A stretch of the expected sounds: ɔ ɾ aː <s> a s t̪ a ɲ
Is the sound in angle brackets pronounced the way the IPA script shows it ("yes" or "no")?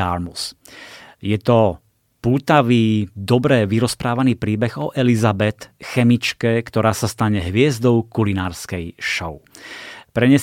yes